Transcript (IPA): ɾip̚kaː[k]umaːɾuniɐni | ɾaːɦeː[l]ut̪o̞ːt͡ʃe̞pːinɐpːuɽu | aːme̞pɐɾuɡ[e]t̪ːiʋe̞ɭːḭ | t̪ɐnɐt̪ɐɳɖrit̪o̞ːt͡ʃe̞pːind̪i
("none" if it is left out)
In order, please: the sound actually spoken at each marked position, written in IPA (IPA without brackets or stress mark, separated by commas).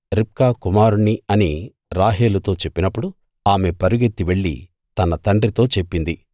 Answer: k, l, e